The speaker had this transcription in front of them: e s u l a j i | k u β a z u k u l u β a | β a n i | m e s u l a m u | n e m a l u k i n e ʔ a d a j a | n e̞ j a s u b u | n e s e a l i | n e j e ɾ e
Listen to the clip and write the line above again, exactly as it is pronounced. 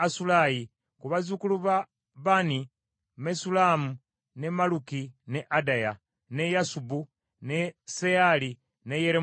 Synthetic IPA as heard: a s u l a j i | k u β a z u k u l u β a | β a n i | m e s u l a m u | n e m a l u k i n e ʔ a d a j a | n e̞ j a s u b u | n e s e a l i | n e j e ɾ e